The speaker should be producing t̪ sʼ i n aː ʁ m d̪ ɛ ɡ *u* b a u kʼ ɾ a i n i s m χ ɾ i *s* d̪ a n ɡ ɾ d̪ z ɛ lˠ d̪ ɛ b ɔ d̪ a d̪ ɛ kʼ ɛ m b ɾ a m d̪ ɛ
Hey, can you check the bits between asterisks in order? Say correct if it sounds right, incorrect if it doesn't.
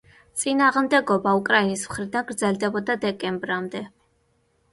incorrect, incorrect

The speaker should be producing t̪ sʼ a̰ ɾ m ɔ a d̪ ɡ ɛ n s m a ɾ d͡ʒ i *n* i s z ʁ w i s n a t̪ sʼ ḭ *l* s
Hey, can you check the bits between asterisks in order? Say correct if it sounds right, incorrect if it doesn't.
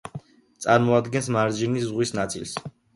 correct, correct

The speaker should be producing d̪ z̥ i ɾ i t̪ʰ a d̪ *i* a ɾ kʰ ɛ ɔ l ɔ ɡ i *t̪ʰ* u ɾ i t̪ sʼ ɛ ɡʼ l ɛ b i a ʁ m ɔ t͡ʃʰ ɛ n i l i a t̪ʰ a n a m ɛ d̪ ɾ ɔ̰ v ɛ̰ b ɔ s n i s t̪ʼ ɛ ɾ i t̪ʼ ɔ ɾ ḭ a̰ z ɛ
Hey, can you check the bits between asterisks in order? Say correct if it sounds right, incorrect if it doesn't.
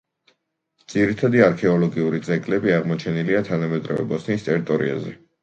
correct, incorrect

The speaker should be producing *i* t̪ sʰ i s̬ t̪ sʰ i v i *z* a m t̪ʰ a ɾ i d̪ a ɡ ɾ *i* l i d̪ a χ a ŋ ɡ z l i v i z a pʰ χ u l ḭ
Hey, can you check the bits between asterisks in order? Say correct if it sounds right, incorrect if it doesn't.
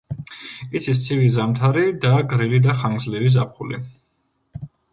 correct, correct, correct

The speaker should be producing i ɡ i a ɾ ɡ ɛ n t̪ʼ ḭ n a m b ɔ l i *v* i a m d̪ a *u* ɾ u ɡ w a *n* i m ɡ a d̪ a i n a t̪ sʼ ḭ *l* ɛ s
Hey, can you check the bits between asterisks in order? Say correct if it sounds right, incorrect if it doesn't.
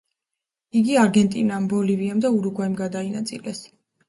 correct, correct, incorrect, correct

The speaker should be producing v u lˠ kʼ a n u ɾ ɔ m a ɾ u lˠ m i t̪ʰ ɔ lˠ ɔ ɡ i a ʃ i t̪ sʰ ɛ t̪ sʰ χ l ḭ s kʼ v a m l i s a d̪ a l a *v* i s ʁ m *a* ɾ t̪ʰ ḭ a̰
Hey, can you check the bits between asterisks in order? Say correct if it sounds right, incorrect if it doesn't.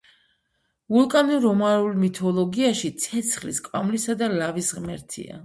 correct, incorrect

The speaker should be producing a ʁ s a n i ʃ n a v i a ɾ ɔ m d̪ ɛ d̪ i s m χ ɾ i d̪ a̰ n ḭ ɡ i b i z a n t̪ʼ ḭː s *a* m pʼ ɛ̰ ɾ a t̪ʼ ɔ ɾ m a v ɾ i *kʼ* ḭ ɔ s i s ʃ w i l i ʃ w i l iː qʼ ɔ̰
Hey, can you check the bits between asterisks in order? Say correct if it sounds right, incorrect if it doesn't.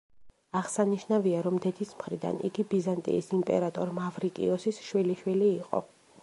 incorrect, correct

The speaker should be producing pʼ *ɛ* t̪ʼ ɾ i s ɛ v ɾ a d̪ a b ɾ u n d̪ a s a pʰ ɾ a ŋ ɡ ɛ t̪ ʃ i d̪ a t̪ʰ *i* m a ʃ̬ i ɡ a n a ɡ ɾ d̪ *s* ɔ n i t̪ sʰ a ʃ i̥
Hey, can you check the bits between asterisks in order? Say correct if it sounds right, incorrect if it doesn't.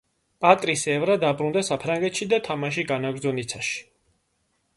incorrect, incorrect, incorrect

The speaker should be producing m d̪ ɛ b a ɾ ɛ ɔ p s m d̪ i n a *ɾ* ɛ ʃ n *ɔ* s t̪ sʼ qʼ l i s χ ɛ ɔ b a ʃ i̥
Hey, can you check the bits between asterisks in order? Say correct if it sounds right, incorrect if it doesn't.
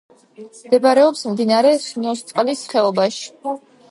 correct, correct

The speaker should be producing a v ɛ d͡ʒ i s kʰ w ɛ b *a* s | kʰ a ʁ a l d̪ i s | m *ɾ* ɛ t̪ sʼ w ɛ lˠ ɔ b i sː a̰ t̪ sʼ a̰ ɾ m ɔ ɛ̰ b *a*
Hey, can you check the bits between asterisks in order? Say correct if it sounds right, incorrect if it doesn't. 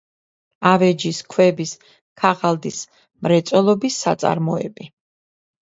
incorrect, correct, incorrect

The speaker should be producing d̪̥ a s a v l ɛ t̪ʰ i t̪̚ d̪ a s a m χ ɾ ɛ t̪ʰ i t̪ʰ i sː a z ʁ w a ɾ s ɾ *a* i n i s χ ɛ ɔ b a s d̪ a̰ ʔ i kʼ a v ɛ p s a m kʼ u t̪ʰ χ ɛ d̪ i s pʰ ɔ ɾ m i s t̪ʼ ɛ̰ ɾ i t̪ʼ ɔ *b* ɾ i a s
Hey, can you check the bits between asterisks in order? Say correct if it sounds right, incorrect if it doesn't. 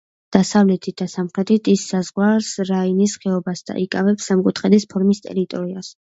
correct, incorrect

